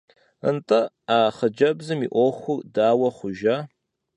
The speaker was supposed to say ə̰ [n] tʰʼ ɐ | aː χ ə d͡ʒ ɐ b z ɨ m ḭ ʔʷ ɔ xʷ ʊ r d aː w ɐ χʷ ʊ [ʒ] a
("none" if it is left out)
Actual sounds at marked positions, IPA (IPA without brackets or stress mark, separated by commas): n, ʒ